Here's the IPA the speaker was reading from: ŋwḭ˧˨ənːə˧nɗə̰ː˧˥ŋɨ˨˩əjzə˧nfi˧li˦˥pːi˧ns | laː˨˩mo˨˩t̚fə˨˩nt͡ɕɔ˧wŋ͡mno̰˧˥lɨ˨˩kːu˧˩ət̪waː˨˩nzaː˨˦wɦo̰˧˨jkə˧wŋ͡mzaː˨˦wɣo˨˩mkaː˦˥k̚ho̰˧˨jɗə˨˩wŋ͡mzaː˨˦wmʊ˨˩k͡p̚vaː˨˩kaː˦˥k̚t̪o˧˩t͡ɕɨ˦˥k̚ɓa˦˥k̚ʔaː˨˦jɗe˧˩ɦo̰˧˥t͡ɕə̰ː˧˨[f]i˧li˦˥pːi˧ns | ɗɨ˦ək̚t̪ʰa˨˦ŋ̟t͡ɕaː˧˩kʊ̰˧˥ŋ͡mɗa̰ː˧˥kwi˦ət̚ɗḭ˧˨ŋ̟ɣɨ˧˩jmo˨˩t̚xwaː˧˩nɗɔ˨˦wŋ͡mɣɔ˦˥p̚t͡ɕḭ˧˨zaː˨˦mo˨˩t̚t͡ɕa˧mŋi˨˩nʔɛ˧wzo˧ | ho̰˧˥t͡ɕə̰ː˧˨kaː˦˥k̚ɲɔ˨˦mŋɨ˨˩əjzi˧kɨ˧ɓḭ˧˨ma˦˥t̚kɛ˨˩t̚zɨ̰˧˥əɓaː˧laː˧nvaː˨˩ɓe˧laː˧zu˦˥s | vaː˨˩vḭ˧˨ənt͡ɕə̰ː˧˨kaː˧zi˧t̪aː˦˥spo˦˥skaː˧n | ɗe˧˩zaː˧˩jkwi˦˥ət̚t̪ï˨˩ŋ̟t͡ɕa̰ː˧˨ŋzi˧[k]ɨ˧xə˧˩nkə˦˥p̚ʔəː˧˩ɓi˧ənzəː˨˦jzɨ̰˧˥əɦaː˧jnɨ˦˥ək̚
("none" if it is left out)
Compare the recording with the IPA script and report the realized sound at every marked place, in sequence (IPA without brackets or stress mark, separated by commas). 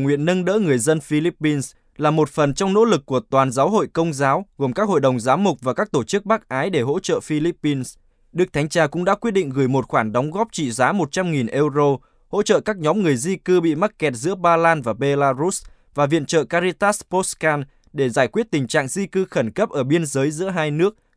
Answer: f, k